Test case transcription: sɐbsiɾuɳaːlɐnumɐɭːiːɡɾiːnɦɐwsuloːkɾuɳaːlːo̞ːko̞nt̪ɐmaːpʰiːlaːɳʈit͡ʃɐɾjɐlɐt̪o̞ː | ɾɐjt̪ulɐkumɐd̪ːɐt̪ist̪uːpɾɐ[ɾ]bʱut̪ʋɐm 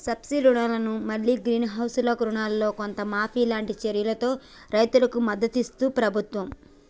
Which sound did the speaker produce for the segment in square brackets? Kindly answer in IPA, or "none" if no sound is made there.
none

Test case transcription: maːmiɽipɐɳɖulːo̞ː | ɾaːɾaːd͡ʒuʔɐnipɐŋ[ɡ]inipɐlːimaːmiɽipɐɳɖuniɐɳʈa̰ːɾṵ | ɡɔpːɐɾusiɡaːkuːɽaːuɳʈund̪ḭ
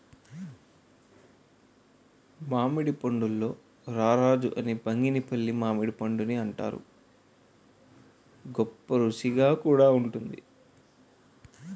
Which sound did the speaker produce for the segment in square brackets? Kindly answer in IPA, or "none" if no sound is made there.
ɡ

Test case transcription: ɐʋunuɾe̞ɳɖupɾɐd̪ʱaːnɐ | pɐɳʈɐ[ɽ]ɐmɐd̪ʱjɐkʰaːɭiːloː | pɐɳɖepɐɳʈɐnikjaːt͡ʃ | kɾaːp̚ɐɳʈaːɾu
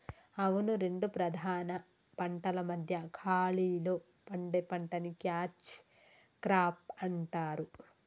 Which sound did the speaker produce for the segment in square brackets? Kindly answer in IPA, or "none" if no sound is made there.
l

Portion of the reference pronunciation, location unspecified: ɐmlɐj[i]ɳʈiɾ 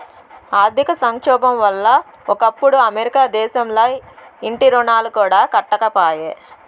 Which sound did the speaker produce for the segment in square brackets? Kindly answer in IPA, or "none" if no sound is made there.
i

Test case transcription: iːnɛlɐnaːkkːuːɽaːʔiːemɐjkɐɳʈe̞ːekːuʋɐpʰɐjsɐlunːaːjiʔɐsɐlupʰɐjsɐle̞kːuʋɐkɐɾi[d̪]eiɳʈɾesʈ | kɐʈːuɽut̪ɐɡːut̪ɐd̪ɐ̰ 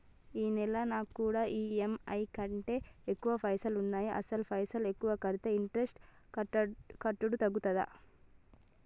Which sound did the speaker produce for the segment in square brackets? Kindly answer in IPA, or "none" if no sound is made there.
t̪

